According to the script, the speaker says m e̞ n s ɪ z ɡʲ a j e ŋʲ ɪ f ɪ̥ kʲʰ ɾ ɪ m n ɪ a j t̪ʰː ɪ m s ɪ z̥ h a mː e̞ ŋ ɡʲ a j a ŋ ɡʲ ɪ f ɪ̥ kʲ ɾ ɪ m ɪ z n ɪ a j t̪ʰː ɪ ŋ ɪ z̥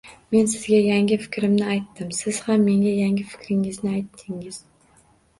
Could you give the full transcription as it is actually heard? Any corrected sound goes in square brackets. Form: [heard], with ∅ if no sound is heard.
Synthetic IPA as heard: m e̞ n s ɪ z ɡʲ a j [a] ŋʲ ɪ f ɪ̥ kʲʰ ɾ ɪ m n ɪ a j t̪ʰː ɪ m s ɪ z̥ h a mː e̞ ŋ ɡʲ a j a ŋ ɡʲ ɪ f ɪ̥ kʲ ɾ ɪ [ŋ] ɪ z n ɪ a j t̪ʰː ɪ ŋ ɪ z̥

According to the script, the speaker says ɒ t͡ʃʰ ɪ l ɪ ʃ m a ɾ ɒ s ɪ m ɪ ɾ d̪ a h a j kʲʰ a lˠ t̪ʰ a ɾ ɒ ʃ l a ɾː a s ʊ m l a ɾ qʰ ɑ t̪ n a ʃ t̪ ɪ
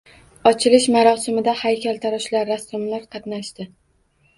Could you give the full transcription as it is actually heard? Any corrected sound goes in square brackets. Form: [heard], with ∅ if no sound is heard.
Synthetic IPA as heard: ɒ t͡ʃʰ ɪ l ɪ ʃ m a ɾ ɒ s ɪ m ɪ [∅] d̪ a h a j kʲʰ a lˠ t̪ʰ a ɾ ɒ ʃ l a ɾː a s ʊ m l a ɾ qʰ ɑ t̪ n a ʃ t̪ ɪ

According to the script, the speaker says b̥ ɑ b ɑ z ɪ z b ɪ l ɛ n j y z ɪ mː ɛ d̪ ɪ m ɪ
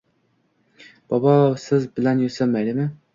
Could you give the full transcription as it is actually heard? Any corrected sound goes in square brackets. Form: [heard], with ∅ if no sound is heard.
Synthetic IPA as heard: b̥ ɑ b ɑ [s] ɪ z b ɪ l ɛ n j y [s] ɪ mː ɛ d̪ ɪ m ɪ

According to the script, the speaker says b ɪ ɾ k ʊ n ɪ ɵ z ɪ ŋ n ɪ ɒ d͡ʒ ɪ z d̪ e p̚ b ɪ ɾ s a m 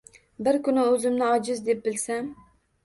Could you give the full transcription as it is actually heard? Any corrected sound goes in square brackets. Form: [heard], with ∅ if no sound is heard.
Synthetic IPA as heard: b ɪ ɾ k ʊ n ɪ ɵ z ɪ [m] n ɪ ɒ d͡ʒ ɪ z d̪ e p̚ b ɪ [l] s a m

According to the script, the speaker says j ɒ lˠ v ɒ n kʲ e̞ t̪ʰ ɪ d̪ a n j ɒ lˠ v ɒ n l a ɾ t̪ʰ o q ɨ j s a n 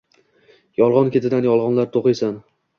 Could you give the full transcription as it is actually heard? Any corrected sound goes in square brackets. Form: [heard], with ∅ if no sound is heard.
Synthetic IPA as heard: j ɒ lˠ [ʁ] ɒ n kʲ e̞ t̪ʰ ɪ d̪ a n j ɒ lˠ [ʁ] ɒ n l a ɾ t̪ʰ o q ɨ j s a n

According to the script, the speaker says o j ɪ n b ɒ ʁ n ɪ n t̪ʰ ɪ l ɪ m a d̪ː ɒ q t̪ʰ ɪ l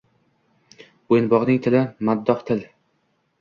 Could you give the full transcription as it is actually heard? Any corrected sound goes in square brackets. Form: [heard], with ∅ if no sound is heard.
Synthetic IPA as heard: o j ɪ n b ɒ ʁ n ɪ [ŋ] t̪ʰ ɪ l ɪ m a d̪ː ɒ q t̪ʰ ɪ l

